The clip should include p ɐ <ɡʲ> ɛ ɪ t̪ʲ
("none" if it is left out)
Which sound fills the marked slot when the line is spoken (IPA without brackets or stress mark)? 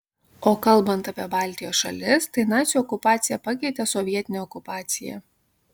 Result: kʲ